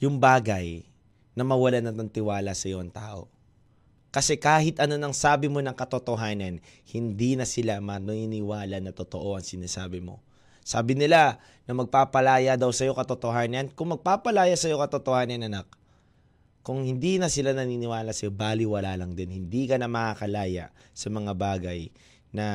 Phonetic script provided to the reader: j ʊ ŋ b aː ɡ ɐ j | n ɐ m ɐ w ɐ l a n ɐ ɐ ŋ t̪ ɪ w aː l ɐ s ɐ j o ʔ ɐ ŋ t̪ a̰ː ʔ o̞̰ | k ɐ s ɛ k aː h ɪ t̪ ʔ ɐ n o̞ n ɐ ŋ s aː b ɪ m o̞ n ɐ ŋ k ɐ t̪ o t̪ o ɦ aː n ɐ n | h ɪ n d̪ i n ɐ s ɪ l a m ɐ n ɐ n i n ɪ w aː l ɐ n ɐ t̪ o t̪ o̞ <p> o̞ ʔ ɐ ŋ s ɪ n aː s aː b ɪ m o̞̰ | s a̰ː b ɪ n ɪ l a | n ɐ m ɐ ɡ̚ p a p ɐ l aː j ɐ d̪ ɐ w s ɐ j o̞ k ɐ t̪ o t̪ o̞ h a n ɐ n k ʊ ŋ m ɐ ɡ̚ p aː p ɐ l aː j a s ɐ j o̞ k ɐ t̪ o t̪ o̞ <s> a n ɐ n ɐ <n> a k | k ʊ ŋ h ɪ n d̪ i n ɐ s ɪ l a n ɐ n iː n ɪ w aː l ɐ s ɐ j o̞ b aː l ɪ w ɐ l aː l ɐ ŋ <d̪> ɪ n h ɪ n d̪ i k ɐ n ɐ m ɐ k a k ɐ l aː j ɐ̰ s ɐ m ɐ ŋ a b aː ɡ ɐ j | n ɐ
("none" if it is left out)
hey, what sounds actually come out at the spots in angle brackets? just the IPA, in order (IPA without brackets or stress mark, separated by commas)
ʔ, h, n, d̪